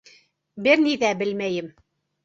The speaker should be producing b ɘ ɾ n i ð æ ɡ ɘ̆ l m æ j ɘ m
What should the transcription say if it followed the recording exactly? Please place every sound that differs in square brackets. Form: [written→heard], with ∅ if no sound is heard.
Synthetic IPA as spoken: b ɘ ɾ n i ð æ [ɡ→b] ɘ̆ l m æ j ɘ m